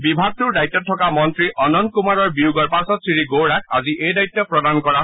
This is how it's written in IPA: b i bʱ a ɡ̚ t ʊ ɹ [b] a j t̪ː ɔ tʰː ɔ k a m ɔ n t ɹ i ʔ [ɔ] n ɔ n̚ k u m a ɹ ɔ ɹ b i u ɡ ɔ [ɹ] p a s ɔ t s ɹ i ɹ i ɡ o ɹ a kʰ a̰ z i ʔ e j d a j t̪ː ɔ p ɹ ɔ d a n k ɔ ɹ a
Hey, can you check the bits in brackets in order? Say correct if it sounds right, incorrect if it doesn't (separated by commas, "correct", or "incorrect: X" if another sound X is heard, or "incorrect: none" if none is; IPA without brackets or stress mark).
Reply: incorrect: d, correct, correct